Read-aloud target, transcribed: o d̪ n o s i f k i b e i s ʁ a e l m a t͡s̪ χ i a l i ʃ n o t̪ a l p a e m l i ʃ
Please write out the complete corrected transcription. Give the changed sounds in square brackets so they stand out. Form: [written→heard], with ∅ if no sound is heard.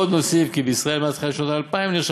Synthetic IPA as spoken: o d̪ n o s i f k i b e i s ʁ a e l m a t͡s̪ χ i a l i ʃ n o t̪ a l p a [e→i] m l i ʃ